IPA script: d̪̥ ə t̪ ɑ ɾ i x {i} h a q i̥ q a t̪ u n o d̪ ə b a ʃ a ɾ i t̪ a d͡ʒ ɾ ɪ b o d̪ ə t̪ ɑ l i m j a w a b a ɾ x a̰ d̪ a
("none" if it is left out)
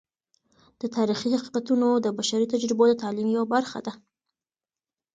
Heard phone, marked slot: i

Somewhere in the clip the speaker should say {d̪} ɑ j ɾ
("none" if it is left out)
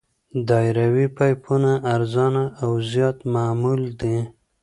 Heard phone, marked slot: d̪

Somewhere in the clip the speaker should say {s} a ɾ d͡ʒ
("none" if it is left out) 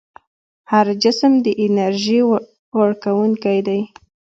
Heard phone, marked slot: h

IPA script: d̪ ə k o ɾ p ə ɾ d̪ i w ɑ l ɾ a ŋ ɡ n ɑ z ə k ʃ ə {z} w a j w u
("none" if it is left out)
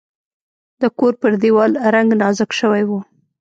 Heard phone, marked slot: none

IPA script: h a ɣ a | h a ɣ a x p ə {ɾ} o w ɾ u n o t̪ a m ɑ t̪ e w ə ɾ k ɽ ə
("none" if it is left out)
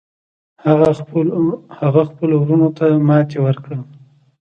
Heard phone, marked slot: l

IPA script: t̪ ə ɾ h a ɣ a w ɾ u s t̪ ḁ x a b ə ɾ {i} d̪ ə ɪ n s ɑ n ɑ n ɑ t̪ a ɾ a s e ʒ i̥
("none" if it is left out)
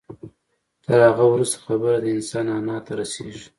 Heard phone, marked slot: a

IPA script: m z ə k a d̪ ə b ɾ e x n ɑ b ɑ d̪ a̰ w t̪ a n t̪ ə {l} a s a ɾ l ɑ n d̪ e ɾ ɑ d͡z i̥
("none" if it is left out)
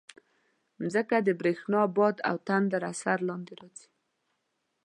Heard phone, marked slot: ɾ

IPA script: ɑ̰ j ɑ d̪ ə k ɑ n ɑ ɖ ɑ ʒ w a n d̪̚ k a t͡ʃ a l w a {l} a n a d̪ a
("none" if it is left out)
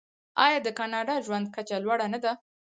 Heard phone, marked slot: ɽ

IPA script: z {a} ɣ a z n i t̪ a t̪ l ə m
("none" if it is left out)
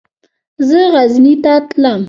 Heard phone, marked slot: ə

